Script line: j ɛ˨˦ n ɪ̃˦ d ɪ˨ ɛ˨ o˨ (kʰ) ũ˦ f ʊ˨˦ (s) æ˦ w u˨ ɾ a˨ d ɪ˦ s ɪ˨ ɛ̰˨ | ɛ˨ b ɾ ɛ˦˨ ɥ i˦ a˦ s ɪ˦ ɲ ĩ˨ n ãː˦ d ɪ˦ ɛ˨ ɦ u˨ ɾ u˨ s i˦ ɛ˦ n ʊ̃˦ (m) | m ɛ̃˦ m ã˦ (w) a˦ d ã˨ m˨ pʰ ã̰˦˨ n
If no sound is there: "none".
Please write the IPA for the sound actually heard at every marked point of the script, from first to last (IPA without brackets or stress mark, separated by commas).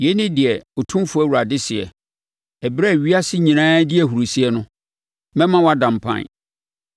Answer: tʰ, none, none, w